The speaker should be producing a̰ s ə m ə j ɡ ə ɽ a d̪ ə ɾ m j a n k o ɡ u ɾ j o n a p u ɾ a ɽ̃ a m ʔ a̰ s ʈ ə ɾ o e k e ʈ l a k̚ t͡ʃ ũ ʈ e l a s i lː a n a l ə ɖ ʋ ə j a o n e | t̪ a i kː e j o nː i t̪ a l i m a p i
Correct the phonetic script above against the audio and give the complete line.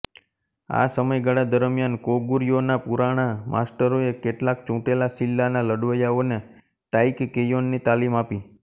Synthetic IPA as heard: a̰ s ə m ə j ɡ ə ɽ a d̪ ə ɾ m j a n k o ɡ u ɾ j o n a p u ɾ a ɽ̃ a m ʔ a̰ s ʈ ə ɾ o e k e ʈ l a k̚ t͡ʃ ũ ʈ e l a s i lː a n a l ə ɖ ʋ ə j a o n e | t̪ a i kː e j o nː i t̪ a l i m a p i